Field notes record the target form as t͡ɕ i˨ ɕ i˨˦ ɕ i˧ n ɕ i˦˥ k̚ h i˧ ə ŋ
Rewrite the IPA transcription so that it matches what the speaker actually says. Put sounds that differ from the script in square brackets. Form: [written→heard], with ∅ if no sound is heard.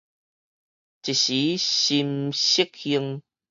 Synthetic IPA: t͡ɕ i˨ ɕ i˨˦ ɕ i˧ [n→m] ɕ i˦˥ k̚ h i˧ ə ŋ